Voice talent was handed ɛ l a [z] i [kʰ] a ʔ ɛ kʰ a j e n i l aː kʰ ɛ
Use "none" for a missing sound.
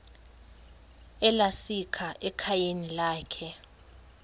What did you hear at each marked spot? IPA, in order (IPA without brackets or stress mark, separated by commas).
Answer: s, kʰ